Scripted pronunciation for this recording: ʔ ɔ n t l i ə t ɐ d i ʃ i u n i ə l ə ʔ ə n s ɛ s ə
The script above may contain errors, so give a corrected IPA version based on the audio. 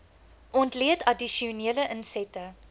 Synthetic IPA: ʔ ɔ n t l i ə t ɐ d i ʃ i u n i ə l ə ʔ ə n s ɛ t ə